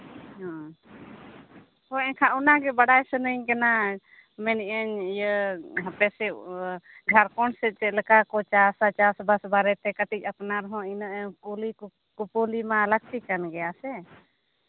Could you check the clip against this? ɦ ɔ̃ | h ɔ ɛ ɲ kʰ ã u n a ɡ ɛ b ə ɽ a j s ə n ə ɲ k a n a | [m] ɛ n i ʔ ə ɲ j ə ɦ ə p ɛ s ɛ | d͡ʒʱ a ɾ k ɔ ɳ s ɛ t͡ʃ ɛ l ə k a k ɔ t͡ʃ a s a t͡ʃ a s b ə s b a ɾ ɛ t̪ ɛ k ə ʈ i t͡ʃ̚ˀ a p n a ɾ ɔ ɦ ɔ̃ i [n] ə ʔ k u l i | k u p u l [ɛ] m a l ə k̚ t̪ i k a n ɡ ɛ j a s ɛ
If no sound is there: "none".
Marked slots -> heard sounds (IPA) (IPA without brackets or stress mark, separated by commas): m, n, i